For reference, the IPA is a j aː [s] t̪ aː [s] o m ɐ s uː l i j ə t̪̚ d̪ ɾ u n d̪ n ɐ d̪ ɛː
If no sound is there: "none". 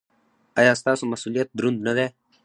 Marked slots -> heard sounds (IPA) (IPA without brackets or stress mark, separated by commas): s, s